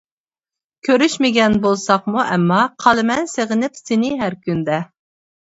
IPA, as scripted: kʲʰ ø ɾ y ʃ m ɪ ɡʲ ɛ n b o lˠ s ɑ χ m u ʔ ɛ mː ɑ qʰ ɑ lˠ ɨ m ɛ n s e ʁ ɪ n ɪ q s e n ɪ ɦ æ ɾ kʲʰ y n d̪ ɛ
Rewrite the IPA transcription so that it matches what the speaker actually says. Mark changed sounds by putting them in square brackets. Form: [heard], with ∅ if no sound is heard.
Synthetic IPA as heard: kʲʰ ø ɾ y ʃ m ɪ ɡʲ ɛ n b o lˠ s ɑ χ m u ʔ ɛ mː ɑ qʰ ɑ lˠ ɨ m ɛ n s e ʁ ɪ n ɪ [p] s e n ɪ ɦ æ ɾ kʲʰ y n d̪ ɛ